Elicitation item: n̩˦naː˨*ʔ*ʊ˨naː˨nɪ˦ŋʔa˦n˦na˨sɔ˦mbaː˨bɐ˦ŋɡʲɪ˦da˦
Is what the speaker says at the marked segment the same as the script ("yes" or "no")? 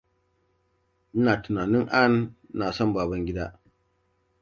no